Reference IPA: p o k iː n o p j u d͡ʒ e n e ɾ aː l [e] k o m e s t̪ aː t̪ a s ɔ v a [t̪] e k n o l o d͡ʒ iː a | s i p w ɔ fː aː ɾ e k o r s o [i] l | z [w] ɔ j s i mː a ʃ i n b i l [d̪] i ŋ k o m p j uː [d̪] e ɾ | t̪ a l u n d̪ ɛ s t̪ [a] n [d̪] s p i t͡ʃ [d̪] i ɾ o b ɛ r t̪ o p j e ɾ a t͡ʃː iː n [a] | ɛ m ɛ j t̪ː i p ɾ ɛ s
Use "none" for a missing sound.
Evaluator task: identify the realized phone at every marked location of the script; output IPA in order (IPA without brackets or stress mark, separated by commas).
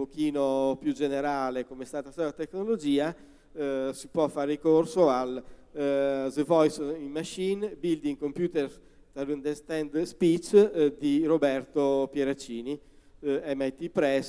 e, t̪, a, v, d̪, t̪, ɛ, d̪, d̪, i